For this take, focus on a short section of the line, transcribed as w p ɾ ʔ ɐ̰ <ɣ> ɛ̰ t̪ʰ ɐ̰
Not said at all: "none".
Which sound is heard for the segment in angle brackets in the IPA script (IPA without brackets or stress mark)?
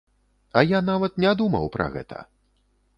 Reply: ɣ